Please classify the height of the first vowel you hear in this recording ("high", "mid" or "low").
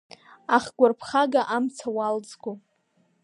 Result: low